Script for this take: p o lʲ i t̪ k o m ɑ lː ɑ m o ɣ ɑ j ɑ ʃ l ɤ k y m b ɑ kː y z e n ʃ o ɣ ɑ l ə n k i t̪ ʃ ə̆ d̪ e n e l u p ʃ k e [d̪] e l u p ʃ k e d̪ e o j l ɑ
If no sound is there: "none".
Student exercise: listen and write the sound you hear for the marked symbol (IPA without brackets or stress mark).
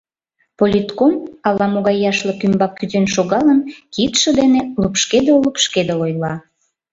d̪